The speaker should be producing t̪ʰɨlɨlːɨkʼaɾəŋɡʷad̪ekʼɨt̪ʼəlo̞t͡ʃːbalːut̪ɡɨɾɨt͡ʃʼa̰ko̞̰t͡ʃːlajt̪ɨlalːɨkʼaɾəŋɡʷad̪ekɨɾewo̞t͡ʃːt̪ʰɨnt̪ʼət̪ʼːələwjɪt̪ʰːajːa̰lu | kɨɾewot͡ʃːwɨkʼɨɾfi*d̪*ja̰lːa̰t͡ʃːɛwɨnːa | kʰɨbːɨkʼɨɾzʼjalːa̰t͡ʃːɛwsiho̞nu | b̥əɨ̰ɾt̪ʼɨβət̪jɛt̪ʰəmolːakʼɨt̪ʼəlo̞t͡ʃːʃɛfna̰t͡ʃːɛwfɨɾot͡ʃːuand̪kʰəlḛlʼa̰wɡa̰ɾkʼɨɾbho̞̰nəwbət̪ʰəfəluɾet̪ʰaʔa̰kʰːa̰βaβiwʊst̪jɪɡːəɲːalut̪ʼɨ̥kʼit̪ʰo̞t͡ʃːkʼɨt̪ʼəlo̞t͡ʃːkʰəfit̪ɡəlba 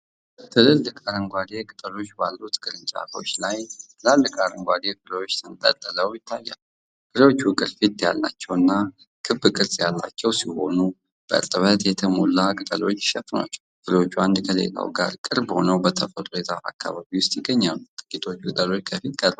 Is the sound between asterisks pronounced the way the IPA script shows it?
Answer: no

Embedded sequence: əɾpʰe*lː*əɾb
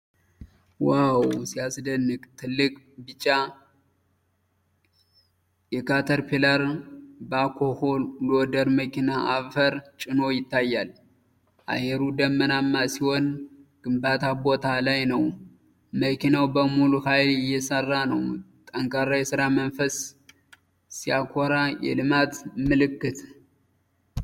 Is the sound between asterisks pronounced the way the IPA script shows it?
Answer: no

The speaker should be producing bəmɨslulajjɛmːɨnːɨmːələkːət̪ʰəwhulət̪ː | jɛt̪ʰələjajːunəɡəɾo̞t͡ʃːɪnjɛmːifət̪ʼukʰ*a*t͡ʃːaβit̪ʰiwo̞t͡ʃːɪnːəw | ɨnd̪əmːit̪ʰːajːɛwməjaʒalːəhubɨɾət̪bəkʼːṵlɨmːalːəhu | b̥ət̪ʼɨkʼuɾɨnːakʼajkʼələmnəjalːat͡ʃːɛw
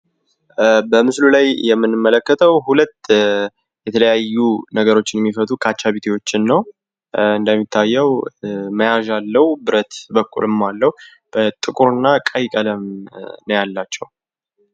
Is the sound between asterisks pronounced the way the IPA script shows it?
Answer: yes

